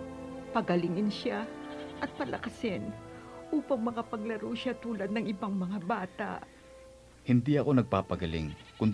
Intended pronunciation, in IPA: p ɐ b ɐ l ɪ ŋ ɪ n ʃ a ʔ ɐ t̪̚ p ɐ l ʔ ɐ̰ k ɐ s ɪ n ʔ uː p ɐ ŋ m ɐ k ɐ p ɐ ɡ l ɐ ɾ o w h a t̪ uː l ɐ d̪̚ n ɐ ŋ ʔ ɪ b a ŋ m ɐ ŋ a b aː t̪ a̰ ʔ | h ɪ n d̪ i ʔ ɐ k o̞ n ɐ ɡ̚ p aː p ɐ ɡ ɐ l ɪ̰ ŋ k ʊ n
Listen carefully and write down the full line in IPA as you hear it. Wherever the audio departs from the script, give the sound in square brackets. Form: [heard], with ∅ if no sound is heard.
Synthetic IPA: p ɐ [ɡ] ɐ l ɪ ŋ ɪ n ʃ a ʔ ɐ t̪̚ p ɐ l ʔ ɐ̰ k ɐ s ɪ n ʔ uː p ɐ ŋ m ɐ k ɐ p ɐ ɡ l ɐ ɾ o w [ʃ] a t̪ uː l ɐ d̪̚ n ɐ ŋ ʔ ɪ b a ŋ m ɐ ŋ a b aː t̪ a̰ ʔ | h ɪ n d̪ i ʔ ɐ k o̞ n ɐ ɡ̚ p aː p ɐ ɡ ɐ l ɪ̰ ŋ k ʊ n